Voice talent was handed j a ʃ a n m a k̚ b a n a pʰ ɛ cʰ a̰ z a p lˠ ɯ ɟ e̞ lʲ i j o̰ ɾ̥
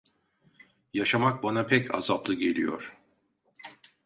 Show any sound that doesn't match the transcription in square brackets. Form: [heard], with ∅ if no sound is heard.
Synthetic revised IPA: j a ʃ a [∅] m a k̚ b a n a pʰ ɛ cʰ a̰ z a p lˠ ɯ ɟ e̞ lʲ i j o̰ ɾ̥